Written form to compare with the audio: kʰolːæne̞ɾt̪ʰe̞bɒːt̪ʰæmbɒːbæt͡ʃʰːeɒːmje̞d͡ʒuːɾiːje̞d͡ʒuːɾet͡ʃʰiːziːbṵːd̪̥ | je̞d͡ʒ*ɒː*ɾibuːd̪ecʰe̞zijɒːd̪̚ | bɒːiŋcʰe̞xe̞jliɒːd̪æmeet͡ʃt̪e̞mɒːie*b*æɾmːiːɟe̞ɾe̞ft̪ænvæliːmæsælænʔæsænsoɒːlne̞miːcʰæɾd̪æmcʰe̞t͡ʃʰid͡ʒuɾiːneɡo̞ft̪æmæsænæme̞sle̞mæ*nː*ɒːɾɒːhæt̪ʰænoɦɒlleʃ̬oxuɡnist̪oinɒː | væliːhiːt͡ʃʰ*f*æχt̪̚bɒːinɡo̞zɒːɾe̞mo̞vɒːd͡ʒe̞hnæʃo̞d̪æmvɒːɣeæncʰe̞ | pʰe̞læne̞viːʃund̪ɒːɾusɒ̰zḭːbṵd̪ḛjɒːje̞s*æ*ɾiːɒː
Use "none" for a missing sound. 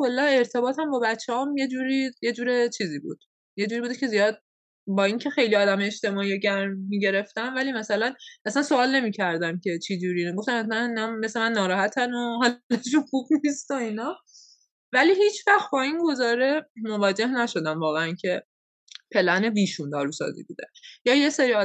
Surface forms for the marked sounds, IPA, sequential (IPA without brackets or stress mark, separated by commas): uː, ɟ, nː, v, e